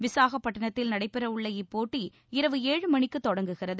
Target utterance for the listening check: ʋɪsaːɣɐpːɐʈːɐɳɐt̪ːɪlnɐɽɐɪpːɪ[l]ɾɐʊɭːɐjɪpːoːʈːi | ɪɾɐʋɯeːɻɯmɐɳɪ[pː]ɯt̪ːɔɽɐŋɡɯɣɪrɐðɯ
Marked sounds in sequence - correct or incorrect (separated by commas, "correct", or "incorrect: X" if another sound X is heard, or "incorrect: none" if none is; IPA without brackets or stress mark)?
incorrect: none, incorrect: kː